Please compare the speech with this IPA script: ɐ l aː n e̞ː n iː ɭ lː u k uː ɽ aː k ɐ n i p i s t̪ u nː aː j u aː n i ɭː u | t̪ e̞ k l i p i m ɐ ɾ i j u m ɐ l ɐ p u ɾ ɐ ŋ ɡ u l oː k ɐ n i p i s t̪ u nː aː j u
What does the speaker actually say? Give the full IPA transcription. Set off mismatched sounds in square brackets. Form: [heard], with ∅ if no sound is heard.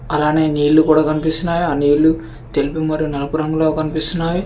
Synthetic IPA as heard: ɐ l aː n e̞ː n iː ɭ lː u k uː ɽ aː k ɐ n i p i s t̪ u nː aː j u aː n [iː] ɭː u | t̪ e̞ [∅] l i p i m ɐ ɾ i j u [n] ɐ l ɐ p u ɾ ɐ ŋ ɡ u l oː k ɐ n i p i s t̪ u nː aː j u